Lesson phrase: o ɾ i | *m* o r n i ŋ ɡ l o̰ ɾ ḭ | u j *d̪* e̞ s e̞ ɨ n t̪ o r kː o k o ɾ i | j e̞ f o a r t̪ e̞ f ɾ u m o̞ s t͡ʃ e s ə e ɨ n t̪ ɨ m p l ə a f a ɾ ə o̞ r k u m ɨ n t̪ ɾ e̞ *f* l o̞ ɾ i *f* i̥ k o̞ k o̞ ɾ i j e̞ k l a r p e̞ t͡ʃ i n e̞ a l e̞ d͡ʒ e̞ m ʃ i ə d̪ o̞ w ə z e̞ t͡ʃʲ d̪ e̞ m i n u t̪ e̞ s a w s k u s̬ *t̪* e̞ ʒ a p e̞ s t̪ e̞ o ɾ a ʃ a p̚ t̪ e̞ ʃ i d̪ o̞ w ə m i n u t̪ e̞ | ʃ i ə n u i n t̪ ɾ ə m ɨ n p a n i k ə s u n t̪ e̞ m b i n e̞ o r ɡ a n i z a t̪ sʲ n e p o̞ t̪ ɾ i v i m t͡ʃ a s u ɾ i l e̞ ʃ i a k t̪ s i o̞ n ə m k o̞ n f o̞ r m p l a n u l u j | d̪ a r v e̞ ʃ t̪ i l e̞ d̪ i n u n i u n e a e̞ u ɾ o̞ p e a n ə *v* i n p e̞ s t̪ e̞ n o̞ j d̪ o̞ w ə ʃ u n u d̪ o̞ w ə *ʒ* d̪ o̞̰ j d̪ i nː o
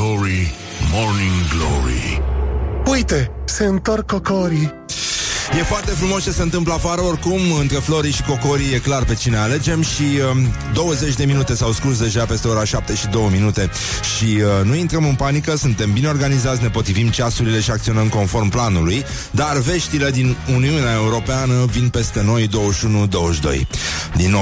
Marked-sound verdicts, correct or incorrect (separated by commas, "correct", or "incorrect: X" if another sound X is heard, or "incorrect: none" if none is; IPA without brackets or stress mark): correct, incorrect: t̪, correct, incorrect: ʃ, incorrect: d̪, correct, incorrect: ʃ